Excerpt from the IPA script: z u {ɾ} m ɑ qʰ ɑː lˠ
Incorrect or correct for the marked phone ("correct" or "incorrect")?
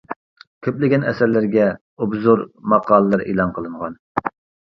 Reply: correct